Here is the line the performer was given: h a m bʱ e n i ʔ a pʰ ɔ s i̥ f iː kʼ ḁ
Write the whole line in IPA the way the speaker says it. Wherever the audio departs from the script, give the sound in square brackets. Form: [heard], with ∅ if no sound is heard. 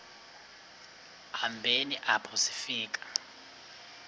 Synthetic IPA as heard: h a m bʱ e n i ʔ a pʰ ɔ s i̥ f iː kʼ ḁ